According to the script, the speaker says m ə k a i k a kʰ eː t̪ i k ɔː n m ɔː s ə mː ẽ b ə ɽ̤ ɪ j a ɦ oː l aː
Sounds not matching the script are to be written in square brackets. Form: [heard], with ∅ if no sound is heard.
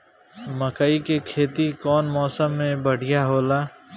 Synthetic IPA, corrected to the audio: m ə k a i k [e] kʰ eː t̪ i k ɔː n m ɔː s ə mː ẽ b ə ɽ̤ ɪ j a ɦ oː l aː